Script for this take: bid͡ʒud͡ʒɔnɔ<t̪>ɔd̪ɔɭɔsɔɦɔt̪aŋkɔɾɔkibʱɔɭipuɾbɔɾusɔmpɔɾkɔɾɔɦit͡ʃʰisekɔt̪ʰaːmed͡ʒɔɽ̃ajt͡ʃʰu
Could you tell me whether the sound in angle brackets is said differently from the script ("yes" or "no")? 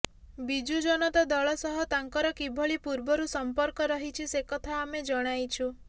no